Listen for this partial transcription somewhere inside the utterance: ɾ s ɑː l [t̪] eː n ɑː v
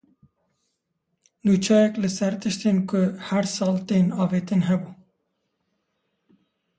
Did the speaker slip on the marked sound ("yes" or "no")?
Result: no